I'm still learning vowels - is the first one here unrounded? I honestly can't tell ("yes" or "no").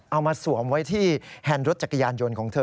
yes